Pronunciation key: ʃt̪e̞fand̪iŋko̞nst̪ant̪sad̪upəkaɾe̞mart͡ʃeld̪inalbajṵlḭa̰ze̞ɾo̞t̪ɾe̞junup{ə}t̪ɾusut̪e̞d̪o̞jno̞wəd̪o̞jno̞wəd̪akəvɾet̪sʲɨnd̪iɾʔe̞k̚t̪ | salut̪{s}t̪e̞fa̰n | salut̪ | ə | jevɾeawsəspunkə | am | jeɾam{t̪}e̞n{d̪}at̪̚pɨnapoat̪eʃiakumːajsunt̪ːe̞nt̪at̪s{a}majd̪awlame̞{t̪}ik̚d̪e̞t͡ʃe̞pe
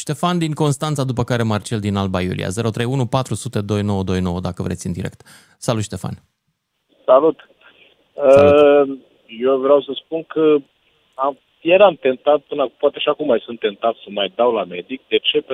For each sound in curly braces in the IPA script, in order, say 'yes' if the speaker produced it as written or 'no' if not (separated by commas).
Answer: no, no, yes, no, no, no